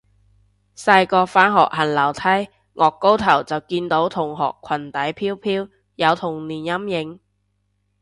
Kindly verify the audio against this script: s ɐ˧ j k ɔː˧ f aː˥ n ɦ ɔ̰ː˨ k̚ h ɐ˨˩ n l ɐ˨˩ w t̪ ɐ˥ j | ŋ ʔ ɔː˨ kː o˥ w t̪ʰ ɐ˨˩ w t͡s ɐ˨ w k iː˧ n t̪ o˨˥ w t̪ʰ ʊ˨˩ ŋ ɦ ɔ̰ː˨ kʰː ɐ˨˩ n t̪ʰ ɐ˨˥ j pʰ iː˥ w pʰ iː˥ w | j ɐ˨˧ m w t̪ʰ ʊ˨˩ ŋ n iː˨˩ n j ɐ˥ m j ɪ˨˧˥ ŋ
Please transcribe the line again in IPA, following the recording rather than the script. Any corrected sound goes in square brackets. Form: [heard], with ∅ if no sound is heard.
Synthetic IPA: s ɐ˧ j k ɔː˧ f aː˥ n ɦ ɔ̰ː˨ k̚ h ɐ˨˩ n l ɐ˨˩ w [t̪ʰ] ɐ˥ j | ŋ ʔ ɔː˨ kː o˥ w t̪ʰ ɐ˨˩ w t͡s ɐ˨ w k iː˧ n t̪ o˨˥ w t̪ʰ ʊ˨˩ ŋ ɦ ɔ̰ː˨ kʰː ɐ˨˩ n [t̪] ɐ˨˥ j pʰ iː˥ w pʰ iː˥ w | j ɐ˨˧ [∅] w t̪ʰ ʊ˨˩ ŋ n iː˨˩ n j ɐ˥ m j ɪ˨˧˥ ŋ